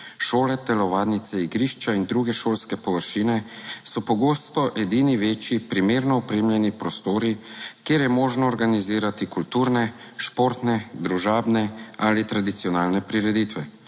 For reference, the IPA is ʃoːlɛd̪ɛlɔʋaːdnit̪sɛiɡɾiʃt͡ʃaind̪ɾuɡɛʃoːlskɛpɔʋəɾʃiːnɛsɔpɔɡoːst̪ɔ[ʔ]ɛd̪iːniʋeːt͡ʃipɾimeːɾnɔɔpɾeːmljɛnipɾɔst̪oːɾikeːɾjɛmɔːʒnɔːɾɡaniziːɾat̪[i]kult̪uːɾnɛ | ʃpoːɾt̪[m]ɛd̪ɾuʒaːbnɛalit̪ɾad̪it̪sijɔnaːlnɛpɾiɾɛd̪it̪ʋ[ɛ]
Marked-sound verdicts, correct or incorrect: correct, correct, incorrect, correct

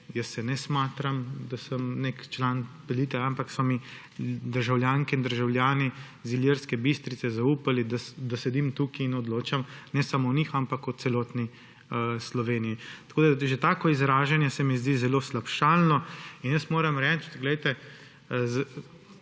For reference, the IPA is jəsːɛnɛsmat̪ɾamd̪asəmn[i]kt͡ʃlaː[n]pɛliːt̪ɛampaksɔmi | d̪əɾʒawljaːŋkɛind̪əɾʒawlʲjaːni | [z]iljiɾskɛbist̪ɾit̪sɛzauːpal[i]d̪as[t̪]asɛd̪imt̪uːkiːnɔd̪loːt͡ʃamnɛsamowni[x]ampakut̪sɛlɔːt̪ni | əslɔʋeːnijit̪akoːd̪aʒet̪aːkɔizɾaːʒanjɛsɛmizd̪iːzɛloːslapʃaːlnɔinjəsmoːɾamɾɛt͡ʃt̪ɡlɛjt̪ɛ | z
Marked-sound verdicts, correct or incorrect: incorrect, correct, correct, correct, incorrect, correct

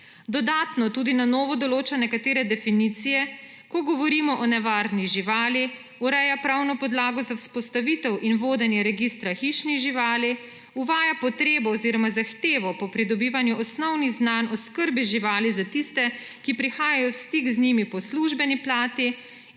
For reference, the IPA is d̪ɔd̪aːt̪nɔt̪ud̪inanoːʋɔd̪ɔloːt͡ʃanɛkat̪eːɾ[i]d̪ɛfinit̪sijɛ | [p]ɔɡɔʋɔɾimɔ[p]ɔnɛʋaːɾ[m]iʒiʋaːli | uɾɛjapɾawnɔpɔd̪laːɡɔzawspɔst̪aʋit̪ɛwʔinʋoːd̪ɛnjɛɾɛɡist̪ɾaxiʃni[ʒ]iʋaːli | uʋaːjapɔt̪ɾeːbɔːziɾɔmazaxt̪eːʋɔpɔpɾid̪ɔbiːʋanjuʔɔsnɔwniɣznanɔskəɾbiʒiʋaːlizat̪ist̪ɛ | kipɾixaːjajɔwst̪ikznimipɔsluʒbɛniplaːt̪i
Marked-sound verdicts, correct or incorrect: incorrect, incorrect, incorrect, incorrect, correct

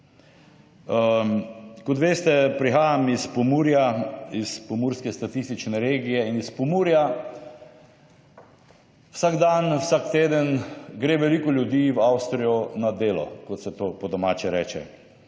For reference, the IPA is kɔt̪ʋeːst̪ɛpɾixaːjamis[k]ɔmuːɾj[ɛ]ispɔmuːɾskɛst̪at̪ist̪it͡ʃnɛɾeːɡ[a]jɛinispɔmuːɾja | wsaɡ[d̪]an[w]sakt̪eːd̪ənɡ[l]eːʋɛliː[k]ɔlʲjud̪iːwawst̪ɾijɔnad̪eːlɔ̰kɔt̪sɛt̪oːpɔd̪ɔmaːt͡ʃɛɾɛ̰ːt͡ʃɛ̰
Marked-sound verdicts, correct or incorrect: incorrect, incorrect, incorrect, correct, correct, incorrect, correct

